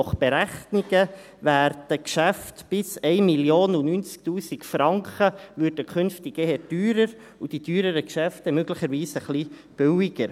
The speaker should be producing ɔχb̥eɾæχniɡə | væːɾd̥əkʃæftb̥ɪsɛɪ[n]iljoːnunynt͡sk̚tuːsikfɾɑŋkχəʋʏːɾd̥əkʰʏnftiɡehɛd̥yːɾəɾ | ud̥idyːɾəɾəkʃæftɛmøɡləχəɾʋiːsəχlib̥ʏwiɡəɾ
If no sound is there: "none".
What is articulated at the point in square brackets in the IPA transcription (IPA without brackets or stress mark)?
m